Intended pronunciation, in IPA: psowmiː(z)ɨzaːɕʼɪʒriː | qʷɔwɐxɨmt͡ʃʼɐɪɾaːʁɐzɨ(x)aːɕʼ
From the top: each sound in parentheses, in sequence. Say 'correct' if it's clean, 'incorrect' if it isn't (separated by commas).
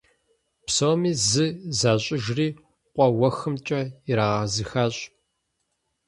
correct, correct